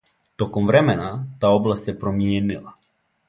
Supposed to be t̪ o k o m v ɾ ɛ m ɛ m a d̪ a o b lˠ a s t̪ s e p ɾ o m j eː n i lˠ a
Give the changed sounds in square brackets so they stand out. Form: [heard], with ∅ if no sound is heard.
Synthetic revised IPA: t̪ o k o m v ɾ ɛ m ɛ [n] a [t̪] a o b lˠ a s t̪ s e p ɾ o m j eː n i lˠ a